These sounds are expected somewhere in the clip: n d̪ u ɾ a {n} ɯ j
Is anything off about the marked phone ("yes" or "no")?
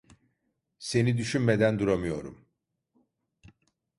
yes